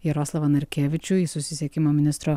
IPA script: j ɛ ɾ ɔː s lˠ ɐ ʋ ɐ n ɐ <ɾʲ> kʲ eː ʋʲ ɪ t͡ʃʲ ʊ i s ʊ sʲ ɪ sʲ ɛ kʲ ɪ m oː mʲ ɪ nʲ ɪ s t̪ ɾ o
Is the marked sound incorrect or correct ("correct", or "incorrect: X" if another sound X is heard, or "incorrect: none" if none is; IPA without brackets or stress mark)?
correct